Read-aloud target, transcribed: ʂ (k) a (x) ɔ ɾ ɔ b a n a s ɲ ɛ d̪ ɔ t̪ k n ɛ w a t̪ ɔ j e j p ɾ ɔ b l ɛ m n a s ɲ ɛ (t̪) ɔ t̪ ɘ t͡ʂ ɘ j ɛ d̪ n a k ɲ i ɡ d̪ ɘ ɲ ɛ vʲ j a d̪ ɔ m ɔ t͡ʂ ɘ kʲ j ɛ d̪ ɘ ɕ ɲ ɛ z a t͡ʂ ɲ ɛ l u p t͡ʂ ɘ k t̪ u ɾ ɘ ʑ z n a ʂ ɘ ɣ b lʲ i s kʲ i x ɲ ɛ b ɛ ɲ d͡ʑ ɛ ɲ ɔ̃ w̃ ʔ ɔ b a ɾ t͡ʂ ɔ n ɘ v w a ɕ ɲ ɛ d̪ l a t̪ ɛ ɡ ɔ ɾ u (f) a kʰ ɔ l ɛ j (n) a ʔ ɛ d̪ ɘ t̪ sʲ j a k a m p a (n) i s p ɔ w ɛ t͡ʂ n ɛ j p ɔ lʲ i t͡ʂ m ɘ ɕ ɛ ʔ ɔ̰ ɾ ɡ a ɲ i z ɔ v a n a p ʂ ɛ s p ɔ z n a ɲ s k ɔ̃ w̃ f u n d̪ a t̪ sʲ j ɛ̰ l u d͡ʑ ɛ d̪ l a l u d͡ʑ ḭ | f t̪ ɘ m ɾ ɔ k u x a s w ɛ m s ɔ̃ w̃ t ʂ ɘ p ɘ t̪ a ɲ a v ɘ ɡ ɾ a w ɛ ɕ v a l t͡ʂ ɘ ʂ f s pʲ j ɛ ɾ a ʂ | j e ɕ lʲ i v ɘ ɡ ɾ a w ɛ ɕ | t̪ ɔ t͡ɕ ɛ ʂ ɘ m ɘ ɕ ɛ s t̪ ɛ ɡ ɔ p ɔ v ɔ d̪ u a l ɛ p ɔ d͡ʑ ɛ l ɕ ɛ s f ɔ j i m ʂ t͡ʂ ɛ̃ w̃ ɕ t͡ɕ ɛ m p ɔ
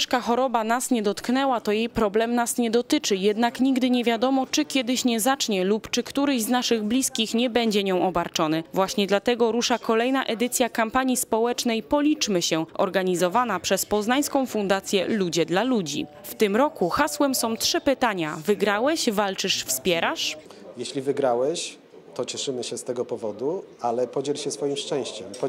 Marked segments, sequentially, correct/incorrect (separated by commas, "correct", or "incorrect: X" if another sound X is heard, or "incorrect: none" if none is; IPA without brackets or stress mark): correct, correct, incorrect: d̪, incorrect: ʂ, correct, incorrect: ɲ